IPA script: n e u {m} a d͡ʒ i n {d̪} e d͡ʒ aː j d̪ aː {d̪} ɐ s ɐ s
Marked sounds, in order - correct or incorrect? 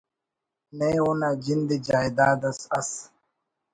incorrect, correct, correct

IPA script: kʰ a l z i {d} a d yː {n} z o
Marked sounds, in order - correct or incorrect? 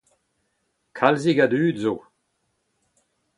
incorrect, incorrect

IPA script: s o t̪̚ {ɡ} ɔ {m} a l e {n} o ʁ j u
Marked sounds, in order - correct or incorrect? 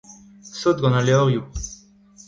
correct, incorrect, incorrect

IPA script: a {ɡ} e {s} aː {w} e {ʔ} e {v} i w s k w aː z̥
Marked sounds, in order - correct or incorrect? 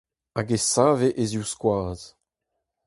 correct, correct, incorrect, correct, incorrect

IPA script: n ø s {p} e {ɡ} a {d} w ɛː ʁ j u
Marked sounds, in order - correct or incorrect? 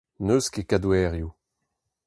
incorrect, incorrect, correct

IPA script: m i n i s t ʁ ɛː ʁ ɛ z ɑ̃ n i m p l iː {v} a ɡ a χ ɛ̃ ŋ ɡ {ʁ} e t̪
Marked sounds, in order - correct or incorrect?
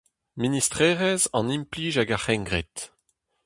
incorrect, correct

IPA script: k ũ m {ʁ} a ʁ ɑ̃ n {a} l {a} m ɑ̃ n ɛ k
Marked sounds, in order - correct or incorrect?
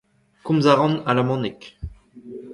incorrect, correct, correct

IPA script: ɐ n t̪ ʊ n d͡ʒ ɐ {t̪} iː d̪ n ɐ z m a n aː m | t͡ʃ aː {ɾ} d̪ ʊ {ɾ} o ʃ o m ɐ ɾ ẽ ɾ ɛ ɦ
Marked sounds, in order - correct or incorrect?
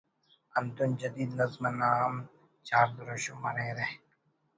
incorrect, correct, correct

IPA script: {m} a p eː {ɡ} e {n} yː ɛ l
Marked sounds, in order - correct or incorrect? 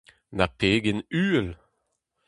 incorrect, correct, correct

